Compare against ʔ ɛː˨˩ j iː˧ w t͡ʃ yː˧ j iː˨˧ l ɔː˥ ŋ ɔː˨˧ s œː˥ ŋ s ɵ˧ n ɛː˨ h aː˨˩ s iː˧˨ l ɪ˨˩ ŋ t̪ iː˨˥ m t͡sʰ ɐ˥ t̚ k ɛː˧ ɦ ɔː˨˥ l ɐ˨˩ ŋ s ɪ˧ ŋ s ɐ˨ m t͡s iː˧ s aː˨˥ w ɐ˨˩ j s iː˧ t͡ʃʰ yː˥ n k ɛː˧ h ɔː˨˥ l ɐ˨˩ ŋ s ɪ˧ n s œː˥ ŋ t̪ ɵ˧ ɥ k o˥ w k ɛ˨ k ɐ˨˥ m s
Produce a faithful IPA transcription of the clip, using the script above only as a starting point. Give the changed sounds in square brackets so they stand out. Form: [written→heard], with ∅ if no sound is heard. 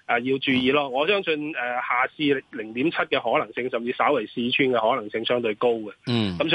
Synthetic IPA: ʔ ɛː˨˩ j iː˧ w t͡ʃ yː˧ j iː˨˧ l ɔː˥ ŋ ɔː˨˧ s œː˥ ŋ s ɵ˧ n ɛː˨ h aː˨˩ s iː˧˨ l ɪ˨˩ ŋ t̪ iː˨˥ m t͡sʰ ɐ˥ t̚ k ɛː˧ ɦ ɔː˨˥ l ɐ˨˩ ŋ s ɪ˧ ŋ s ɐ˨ m t͡s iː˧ s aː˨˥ w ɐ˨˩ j s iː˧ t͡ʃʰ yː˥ n k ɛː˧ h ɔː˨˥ l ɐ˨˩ ŋ s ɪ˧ [n→ŋ] s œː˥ ŋ t̪ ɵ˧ ɥ k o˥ w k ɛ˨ k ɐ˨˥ m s